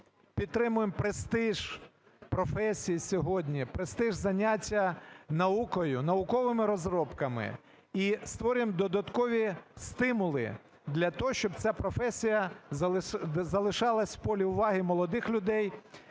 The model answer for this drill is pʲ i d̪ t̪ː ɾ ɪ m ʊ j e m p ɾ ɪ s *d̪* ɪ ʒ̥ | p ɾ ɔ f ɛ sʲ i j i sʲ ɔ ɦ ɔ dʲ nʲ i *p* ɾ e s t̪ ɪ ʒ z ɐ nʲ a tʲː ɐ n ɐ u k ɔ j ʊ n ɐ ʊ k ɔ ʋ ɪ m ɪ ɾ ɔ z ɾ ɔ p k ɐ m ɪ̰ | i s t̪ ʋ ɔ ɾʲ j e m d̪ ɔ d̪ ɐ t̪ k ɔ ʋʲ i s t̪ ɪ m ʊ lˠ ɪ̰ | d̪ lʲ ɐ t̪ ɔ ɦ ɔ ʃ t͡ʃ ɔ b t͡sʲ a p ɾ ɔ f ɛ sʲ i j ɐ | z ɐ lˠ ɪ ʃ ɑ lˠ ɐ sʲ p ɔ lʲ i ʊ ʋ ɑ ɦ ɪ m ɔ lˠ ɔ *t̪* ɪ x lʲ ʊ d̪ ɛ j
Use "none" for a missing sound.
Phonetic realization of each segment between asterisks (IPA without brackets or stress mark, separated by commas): t̪, p, d̪